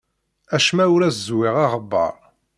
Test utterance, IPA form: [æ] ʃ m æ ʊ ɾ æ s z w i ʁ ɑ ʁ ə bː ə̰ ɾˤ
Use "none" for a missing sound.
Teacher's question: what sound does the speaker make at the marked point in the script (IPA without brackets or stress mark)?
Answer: æ